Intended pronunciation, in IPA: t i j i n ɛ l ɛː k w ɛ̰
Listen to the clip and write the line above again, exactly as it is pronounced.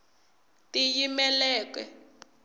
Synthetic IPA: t i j i m ɛ l ɛː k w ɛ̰